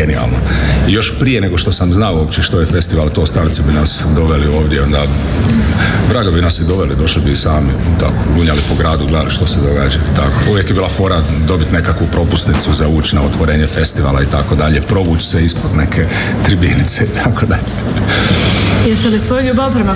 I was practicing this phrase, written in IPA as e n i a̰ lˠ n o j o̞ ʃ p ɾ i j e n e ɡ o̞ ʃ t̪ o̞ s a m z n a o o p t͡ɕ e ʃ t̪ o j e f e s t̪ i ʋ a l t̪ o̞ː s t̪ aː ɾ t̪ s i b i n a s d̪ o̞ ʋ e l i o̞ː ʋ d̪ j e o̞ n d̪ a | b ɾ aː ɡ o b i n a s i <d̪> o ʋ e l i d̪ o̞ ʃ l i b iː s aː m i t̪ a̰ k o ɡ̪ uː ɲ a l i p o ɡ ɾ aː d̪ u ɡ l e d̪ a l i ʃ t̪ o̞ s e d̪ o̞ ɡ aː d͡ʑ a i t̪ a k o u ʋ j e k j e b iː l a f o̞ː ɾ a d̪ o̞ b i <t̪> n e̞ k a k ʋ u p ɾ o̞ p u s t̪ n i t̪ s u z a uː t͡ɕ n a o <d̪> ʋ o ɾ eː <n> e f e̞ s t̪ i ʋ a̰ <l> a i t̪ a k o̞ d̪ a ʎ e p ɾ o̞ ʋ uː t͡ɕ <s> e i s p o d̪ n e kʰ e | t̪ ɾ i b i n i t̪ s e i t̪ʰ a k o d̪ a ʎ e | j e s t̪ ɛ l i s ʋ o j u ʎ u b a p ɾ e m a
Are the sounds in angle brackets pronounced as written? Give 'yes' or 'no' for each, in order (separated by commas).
yes, yes, no, no, yes, yes